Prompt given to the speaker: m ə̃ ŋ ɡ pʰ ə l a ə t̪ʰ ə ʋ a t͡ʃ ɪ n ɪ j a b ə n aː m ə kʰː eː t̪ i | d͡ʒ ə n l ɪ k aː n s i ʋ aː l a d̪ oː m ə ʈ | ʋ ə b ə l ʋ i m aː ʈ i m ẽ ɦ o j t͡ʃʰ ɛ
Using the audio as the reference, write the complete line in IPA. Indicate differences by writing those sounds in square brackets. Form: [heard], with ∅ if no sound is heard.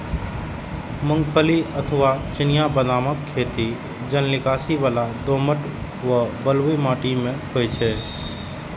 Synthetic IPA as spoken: m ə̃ ŋ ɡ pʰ ə l [i] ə t̪ʰ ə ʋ a t͡ʃ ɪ n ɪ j a b ə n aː m ə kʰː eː t̪ i | d͡ʒ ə n l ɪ k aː [∅] s i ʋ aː l a d̪ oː m ə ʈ | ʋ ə b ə l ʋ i m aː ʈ i m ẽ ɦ o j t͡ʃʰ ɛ